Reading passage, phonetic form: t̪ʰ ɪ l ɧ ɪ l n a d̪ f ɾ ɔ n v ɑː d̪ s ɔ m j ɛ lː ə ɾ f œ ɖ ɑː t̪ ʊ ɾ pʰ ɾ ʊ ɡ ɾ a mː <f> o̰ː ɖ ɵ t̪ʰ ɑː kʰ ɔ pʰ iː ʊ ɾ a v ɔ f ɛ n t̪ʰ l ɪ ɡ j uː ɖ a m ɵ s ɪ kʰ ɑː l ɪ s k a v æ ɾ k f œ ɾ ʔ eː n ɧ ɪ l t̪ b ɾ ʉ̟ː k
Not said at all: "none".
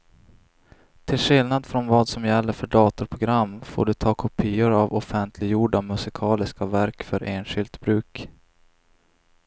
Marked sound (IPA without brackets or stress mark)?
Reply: f